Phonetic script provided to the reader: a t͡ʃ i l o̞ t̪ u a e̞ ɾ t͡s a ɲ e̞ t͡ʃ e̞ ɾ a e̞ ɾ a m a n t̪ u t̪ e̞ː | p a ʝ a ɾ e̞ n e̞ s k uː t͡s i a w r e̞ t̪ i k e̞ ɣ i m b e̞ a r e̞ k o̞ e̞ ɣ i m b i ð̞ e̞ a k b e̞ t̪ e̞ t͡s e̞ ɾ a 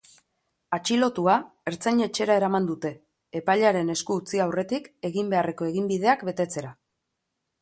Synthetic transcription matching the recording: a t͡ʃ i l o̞ t̪ u a e̞ ɾ t͡s a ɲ e̞ t͡ʃ e̞ ɾ a e̞ ɾ a m a n d̪ u t̪ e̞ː | p a ʎ a ɾ e̞ n e̞ s k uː t͡s i a w r e̞ t̪ i k e̞ ɣ i m b e̞ a r e̞ k o̞ e̞ ɣ i m b i ð̞ e̞ a k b e̞ t̪ e̞ t͡s e̞ ɾ a